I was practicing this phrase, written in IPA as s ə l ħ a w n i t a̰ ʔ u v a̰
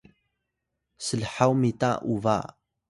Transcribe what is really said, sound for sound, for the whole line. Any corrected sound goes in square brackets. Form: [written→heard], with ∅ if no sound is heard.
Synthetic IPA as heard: s ə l ħ a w [n→m] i t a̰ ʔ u v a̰